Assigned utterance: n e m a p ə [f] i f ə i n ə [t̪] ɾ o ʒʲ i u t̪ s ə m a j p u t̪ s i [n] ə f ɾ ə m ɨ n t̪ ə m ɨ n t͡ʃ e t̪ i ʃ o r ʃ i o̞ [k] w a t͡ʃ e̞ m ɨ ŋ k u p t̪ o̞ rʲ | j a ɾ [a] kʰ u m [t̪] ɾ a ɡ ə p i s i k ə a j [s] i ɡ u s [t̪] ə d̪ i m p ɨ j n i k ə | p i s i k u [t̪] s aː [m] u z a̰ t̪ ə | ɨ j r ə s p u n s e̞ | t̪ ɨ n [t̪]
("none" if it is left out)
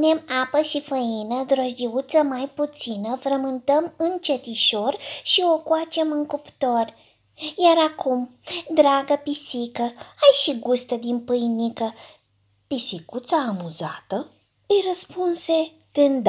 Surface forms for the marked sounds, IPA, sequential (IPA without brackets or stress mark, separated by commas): ʃ, d̪, n, k, a, d̪, ʃ, t̪, t̪, m, d̪